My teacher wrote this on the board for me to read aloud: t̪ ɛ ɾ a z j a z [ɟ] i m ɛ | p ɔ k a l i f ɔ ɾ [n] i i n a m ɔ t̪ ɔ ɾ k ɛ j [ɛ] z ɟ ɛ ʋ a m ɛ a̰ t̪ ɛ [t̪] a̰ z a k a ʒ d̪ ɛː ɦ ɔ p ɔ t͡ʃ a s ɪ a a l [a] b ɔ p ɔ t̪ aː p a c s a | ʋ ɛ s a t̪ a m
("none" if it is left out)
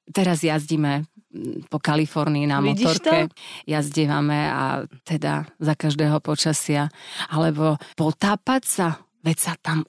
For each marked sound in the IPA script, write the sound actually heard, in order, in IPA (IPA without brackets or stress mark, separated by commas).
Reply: ɟ, n, a, d̪, ɛ